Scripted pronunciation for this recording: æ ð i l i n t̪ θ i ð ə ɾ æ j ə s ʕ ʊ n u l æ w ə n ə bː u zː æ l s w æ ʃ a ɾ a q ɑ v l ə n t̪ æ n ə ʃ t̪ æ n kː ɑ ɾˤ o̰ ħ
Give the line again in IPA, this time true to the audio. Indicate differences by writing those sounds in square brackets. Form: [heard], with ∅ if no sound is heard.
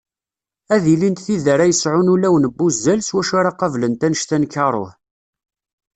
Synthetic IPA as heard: æ ð i l i n t̪ θ i ð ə ɾ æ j ə s ʕ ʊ n u l æ w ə n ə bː u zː æ l s w æ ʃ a ɾ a q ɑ v l ə n t̪ æ n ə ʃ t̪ æ n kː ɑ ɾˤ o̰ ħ